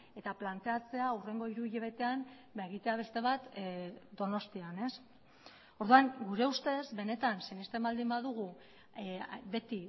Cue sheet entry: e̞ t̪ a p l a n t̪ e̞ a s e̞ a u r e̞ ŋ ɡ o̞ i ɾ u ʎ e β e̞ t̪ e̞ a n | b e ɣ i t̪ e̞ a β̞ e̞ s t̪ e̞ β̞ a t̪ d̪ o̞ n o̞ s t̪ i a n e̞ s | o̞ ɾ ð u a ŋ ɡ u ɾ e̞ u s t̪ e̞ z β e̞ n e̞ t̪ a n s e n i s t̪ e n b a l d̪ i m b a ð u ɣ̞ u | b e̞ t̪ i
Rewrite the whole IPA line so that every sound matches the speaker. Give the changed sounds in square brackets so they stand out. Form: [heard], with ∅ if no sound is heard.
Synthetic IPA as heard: e̞ t̪ a p l a n t̪ e̞ a [t͡s] e̞ a u r e̞ ŋ ɡ o̞ i ɾ u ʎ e β e̞ t̪ e̞ a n | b e ɣ i t̪ e̞ a β̞ e̞ s t̪ e̞ β̞ a t̪ d̪ o̞ n o̞ s t̪ i a n e̞ s | o̞ ɾ ð u a ŋ ɡ u ɾ e̞ u s t̪ e̞ z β e̞ n e̞ t̪ a n s e n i s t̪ e [m] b a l d̪ i m b a ð u ɣ̞ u | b e̞ t̪ i

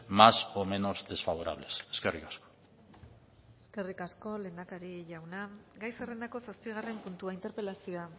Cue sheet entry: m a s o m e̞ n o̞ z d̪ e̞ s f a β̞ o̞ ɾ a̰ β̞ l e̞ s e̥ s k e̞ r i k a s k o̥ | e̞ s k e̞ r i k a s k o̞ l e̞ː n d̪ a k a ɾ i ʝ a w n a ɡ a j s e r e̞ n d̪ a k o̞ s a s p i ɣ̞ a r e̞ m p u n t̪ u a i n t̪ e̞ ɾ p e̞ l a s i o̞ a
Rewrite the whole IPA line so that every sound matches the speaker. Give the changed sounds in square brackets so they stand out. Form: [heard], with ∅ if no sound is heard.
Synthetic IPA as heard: m a s o m e̞ n o̞ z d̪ e̞ s f a β̞ o̞ ɾ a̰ β̞ l e̞ s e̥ s k e̞ r i k a s k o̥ | e̞ s k e̞ r i k a s k o̞ l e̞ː n d̪ a k a ɾ i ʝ a w n a ɡ a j s e r e̞ n d̪ a k o̞ s a s p i ɣ̞ a r e̞ m p u n t̪ u a i n t̪ e̞ ɾ p e̞ l a s i o̞ a

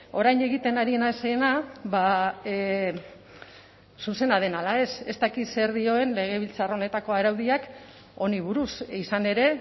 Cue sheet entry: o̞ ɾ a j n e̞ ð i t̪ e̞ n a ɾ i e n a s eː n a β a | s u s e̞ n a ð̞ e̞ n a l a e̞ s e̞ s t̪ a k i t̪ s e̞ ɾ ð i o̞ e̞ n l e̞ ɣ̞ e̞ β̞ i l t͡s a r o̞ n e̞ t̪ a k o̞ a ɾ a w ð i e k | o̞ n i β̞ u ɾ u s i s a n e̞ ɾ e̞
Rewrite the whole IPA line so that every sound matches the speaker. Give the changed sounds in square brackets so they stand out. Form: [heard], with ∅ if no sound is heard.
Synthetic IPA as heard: o̞ ɾ a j n e̞ [ɣ] i t̪ e̞ n a ɾ i e n a s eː n a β a | s u s e̞ n a ð̞ e̞ n a l a e̞ s e̞ s t̪ a k i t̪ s e̞ ɾ ð i o̞ e̞ n l e̞ ɣ̞ e̞ β̞ i l t͡s a r o̞ n e̞ t̪ a k o̞ a ɾ a w ð i [a] k | o̞ n i β̞ u ɾ u s i s a n e̞ ɾ e̞

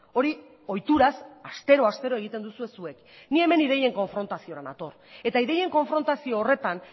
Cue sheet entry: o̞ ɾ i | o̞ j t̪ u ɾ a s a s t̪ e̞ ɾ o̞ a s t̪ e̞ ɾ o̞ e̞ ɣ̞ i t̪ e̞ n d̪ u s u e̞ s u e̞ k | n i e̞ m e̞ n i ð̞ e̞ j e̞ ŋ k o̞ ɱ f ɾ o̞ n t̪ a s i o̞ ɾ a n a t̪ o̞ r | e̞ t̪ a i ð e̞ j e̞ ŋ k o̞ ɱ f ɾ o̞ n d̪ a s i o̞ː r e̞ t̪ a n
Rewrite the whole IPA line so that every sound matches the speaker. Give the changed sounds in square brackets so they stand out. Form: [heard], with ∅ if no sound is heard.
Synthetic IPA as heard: o̞ ɾ i | o̞ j t̪ u ɾ a s a s t̪ e̞ ɾ o̞ a s t̪ e̞ ɾ o̞ e̞ ɣ̞ i t̪ e̞ n d̪ u s u e̞ s u e̞ k | n i e̞ m e̞ n i ð̞ e̞ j e̞ ŋ k o̞ ɱ f ɾ o̞ n t̪ a s i o̞ ɾ a n a t̪ o̞ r | e̞ t̪ a i ð e̞ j e̞ ŋ k o̞ ɱ f ɾ o̞ n [t̪] a s i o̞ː r e̞ t̪ a n

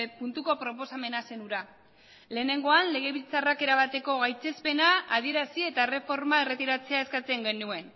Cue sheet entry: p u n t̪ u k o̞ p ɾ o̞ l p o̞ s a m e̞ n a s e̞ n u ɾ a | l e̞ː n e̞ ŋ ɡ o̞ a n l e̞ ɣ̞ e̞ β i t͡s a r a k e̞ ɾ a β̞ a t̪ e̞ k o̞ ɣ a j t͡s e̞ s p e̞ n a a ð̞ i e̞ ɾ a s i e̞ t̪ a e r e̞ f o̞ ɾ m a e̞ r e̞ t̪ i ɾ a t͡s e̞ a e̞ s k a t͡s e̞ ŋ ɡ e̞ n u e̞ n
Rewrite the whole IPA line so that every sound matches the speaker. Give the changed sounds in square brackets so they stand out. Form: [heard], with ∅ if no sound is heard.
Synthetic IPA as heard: p u n t̪ u k o̞ p ɾ o̞ [∅] p o̞ s a m e̞ n a s e̞ n u ɾ a | l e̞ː n e̞ ŋ ɡ o̞ a n l e̞ ɣ̞ e̞ β i t͡s a r a k e̞ ɾ a β̞ a t̪ e̞ k o̞ ɣ a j t͡s e̞ s p e̞ n a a ð̞ i e̞ ɾ a s i e̞ t̪ a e r e̞ f o̞ ɾ m a e̞ r e̞ t̪ i ɾ a t͡s e̞ a e̞ s k a t͡s e̞ ŋ ɡ e̞ n u e̞ n

